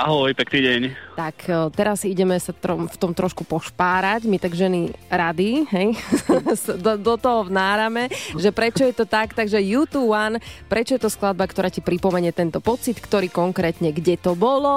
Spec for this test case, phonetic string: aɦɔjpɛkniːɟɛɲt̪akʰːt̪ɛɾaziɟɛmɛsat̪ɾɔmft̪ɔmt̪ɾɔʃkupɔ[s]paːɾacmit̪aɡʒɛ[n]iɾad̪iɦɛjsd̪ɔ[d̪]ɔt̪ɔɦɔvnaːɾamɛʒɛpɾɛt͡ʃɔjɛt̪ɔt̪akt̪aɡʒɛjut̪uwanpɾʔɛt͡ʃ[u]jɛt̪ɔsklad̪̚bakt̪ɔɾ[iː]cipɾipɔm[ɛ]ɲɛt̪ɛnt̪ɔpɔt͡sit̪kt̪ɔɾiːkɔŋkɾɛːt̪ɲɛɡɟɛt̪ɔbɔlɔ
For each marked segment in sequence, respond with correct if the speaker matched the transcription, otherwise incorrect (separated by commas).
incorrect, correct, correct, incorrect, incorrect, correct